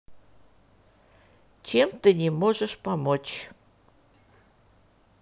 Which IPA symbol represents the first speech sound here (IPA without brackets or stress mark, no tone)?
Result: t͡ɕ